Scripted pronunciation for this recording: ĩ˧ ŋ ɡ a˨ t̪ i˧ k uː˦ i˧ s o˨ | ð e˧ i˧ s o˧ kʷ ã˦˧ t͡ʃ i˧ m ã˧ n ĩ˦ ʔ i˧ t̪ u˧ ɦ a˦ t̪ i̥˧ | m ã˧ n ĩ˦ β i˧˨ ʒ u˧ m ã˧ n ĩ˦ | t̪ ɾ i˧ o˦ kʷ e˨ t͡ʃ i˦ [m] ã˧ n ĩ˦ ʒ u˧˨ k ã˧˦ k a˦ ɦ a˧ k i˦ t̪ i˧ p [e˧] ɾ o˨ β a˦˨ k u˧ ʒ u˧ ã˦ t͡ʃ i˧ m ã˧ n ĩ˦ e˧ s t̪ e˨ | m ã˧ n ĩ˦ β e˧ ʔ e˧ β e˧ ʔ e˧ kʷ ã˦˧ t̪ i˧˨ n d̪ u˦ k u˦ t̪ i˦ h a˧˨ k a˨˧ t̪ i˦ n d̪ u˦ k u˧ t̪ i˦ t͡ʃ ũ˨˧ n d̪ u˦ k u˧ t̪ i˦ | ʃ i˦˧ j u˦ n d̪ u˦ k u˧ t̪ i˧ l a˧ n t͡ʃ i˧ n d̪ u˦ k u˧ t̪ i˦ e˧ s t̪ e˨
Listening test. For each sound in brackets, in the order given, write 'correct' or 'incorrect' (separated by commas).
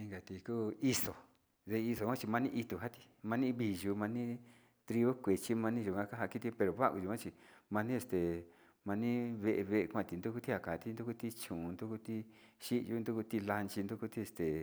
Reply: correct, correct